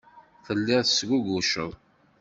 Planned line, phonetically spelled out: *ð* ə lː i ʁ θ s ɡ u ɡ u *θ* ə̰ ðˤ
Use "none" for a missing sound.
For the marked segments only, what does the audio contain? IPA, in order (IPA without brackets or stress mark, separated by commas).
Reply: θ, ʃ